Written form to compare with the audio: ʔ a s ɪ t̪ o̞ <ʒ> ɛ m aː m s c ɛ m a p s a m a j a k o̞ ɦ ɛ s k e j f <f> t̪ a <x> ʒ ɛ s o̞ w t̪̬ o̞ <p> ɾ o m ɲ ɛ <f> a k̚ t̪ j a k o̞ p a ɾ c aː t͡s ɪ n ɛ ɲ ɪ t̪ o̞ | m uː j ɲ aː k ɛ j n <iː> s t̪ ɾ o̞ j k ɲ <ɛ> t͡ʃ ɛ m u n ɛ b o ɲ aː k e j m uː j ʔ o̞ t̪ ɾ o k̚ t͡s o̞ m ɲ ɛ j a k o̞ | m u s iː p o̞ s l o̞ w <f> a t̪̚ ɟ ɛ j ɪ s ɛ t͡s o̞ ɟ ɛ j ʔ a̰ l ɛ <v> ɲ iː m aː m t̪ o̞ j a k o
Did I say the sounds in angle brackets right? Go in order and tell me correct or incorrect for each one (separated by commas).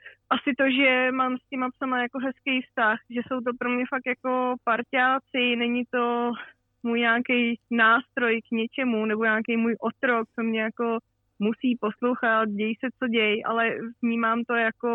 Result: correct, incorrect, correct, correct, correct, incorrect, correct, incorrect, correct